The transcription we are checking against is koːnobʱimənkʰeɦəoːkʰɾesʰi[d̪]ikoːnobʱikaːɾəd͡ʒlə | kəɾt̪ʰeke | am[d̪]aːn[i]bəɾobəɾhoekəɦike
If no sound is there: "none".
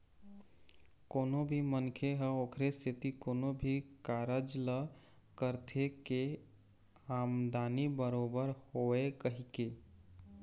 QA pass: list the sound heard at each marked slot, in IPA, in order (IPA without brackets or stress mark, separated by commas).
t̪, d̪, i